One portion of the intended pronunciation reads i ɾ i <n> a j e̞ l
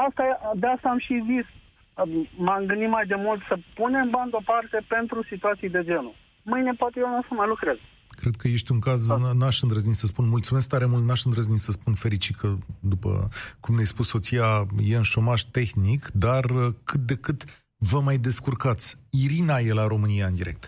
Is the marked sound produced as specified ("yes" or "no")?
yes